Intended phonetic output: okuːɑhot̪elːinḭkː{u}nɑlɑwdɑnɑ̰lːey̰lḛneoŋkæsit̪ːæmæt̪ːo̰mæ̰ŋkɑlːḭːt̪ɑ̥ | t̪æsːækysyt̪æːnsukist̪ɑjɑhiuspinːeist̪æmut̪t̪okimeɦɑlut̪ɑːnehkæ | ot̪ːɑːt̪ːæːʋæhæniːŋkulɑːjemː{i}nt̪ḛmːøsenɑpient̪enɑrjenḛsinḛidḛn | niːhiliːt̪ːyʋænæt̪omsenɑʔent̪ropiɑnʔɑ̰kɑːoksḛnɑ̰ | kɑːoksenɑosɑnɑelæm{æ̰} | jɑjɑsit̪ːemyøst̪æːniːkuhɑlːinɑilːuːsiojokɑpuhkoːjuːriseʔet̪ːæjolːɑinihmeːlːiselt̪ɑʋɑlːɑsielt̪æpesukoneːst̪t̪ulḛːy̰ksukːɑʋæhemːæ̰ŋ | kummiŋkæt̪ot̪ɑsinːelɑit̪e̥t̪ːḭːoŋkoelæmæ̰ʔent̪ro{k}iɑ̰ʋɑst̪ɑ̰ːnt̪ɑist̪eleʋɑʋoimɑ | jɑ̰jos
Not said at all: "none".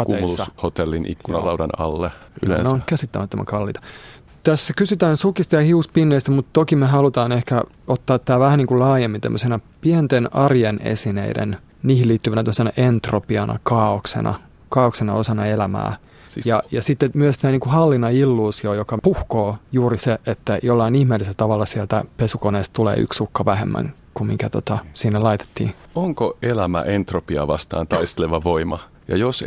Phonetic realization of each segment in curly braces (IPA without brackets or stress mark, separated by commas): u, i, æ̰ː, p